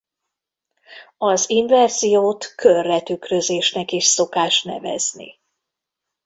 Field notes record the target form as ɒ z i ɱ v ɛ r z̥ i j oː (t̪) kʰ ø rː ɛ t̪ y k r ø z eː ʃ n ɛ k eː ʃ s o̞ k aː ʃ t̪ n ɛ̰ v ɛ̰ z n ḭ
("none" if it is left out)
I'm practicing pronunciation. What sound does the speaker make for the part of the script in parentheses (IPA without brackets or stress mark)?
t̪